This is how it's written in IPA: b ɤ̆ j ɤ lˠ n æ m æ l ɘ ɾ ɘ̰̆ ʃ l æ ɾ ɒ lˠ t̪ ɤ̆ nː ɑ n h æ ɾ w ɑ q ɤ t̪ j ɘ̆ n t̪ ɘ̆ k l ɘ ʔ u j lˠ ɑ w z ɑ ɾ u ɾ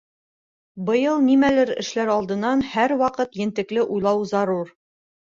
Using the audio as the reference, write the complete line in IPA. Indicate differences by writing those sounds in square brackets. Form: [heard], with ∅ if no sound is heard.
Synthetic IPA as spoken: b ɤ̆ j ɤ lˠ n [i] m æ l ɘ ɾ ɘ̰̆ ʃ l æ ɾ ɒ lˠ [d̪] ɤ̆ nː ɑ n h æ ɾ w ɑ q ɤ t̪ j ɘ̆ n t̪ ɘ̆ k l ɘ ʔ u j lˠ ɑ w z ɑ ɾ u ɾ